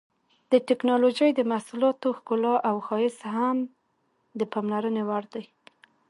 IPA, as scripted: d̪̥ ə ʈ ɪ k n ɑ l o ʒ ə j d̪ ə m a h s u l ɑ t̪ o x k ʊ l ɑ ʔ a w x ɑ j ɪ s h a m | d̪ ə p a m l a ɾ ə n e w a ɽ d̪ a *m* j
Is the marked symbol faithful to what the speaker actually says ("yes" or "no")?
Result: no